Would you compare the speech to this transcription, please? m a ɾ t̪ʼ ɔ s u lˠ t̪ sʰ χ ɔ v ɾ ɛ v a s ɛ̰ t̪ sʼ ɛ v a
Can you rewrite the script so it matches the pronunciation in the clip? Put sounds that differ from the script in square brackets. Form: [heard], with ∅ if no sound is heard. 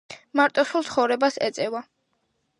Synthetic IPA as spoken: m a ɾ t̪ʼ ɔ s u lˠ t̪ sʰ χ ɔ v ɾ ɛ [b] a s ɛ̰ t̪ sʼ ɛ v a